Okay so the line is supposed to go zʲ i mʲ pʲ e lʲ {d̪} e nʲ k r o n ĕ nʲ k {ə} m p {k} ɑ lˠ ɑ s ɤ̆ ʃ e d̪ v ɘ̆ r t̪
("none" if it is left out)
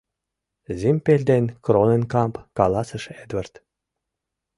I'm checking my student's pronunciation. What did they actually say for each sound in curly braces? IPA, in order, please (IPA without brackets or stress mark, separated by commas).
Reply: d̪, ɑ, k